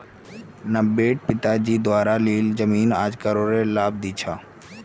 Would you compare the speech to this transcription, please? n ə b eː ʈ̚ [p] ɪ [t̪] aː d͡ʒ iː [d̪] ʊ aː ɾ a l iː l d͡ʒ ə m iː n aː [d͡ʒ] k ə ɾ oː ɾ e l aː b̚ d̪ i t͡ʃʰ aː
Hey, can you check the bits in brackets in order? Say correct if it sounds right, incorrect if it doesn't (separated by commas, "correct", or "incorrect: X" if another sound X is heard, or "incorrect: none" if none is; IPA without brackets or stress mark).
correct, correct, correct, correct